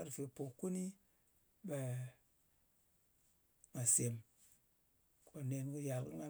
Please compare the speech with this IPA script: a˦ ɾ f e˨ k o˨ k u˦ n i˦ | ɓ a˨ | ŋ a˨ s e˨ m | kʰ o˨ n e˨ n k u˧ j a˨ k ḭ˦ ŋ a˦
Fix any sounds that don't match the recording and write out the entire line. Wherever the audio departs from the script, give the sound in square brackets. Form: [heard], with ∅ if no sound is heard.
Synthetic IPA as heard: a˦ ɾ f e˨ [p] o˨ k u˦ n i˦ | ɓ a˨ | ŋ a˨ s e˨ m | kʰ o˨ n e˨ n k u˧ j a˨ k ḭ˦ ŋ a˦